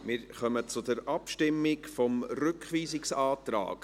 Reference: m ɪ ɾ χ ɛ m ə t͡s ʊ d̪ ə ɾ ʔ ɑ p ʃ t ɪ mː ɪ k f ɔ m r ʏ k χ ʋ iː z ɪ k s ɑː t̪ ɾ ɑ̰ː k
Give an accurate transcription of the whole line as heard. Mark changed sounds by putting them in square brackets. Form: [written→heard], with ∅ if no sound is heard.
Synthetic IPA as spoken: m ɪ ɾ χ [ɛ→œ] m ə t͡s ʊ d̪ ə ɾ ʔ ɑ p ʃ t ɪ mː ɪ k f ɔ m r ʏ k χ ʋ iː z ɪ k s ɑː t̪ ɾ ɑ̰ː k